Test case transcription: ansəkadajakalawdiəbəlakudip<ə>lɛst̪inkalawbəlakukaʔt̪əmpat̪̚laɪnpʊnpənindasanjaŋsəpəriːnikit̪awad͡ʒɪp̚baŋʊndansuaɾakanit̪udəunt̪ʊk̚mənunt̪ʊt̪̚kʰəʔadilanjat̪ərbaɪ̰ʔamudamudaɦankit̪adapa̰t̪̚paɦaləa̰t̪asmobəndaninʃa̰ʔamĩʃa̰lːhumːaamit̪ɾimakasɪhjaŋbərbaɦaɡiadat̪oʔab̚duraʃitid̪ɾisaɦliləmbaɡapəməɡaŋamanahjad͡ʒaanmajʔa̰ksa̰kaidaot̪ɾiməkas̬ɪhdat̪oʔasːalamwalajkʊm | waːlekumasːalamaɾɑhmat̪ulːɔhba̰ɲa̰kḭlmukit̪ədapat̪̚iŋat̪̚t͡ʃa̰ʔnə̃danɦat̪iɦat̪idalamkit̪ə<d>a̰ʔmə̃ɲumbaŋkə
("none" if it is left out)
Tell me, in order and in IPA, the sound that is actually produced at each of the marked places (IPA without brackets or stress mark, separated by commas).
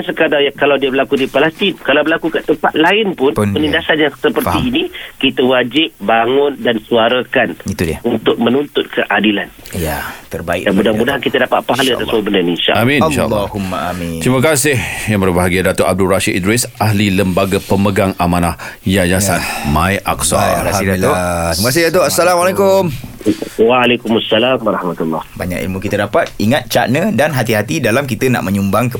a, n